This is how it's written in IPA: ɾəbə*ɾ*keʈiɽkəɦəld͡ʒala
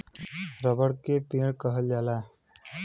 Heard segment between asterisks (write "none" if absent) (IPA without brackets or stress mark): ɽ